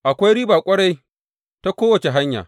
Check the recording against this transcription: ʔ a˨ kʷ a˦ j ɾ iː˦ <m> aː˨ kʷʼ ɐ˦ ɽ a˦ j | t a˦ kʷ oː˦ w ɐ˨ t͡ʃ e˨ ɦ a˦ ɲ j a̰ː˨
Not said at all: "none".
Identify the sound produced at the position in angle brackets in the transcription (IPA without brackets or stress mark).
b